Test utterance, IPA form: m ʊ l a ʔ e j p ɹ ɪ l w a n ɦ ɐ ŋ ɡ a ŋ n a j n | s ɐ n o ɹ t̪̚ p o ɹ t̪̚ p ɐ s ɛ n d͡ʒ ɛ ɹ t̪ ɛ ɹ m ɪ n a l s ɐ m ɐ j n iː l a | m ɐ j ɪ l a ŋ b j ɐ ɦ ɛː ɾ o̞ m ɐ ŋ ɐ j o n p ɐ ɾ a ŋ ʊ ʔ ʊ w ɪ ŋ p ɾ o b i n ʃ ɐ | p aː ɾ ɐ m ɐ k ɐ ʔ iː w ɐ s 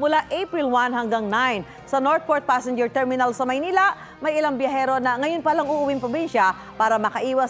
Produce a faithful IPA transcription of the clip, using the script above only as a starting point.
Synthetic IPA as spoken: m ʊ l a ʔ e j p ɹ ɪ l w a n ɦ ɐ ŋ ɡ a ŋ n a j n | s ɐ n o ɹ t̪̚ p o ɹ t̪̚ p a s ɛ n d͡ʒ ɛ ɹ t̪ ɛ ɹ m ɪ n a l s ɐ m ɐ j n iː l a | m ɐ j ɪ l a ŋ b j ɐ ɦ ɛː ɾ o̞ n ɐ ŋ ɐ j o n p ɐ l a ŋ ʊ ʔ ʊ w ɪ ŋ p ɾ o b i n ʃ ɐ | p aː ɾ ɐ m ɐ k ɐ ʔ iː w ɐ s